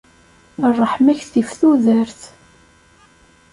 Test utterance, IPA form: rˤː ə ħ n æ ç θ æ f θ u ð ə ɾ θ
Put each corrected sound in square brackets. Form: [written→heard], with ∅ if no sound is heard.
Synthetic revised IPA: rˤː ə ħ [n→m] æ ç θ [æ→i] f θ u ð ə ɾ θ

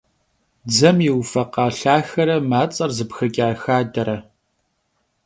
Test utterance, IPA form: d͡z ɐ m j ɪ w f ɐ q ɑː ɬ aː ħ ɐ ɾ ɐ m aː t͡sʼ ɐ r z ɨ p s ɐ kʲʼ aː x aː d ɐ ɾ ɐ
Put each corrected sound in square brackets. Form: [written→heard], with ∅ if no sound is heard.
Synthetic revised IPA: d͡z ɐ m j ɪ w f ɐ q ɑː ɬ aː [ħ→x] ɐ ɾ ɐ m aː t͡sʼ ɐ r z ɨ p [s→x] ɐ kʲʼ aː x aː d ɐ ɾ ɐ

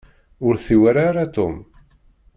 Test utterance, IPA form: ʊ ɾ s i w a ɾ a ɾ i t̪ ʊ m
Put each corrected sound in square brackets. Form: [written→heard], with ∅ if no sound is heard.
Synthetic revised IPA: ʊ ɾ [s→θ] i w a ɾ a ɾ [i→a] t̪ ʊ m

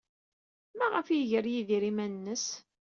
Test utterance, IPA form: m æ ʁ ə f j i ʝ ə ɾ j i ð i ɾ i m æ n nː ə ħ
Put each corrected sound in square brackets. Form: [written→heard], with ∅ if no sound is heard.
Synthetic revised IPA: m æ ʁ ə f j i ʝ ə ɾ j i ð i ɾ i m æ n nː ə [ħ→s]

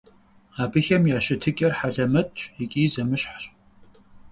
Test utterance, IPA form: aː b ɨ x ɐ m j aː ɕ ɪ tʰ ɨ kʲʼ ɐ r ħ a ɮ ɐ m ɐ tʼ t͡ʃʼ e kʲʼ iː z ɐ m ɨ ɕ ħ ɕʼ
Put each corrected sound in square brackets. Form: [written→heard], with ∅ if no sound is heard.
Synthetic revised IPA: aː b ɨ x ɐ m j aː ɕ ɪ tʰ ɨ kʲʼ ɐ r ħ a ɮ ɐ m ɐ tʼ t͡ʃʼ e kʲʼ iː z ɐ m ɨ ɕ ħ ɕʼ

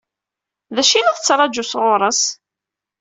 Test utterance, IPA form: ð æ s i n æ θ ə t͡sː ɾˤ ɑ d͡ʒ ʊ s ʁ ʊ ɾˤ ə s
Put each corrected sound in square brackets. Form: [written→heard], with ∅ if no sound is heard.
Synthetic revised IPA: ð æ [s→ʃ] i n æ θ ə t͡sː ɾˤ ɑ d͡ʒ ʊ s ʁ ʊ ɾˤ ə s

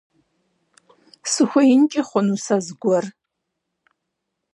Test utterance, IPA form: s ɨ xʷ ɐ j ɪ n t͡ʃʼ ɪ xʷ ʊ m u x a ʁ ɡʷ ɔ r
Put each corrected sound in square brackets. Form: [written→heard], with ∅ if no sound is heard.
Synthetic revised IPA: s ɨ xʷ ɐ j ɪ n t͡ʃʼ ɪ [xʷ→χʷ] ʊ [m→n] u [x→s] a [ʁ→z] ɡʷ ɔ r

